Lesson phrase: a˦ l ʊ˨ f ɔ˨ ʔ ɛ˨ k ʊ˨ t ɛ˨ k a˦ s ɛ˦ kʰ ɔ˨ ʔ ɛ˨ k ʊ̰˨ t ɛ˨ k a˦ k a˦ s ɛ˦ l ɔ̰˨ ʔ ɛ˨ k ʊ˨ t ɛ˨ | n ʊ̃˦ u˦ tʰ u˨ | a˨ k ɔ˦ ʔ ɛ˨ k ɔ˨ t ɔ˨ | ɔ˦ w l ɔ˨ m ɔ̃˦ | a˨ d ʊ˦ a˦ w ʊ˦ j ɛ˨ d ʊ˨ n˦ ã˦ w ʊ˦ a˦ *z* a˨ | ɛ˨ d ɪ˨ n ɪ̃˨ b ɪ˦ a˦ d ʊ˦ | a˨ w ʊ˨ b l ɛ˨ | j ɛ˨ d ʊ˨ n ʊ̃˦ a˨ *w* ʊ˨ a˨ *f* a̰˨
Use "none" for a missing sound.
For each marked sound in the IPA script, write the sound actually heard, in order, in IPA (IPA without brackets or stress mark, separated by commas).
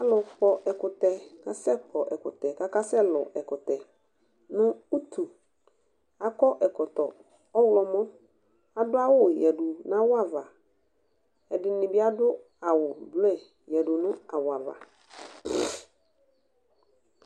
v, w, v